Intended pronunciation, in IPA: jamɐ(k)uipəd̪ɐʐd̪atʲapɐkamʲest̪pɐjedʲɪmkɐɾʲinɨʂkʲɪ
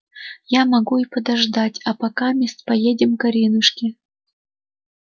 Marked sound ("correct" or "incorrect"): incorrect